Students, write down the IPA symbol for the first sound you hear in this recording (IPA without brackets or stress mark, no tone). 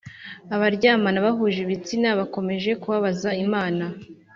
a